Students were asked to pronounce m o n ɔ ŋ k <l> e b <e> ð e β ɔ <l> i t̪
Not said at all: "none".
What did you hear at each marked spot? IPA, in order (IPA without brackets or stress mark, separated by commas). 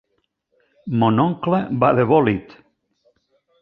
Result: l, a, l